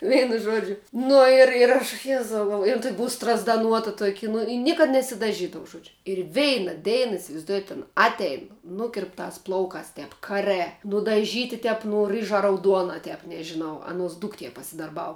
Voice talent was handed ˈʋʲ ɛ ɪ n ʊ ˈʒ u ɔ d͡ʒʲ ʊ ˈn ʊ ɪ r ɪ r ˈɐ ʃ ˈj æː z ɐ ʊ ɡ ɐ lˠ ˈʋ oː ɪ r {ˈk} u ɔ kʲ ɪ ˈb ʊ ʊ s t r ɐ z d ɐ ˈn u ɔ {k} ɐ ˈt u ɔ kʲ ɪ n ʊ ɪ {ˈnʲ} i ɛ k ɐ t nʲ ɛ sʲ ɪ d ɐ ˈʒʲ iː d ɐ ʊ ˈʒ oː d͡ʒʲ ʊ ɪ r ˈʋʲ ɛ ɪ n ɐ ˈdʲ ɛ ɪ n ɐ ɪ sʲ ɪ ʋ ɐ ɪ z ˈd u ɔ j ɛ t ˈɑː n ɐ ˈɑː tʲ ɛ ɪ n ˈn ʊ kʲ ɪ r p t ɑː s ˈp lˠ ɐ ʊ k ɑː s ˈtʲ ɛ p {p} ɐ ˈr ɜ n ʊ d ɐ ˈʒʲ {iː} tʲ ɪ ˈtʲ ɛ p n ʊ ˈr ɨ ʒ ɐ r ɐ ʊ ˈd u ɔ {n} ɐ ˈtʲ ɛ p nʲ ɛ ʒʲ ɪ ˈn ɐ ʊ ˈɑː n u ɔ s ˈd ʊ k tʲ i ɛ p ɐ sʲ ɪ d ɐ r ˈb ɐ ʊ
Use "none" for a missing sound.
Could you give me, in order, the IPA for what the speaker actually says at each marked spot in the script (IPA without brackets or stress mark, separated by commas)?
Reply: t, t, nʲ, k, iː, n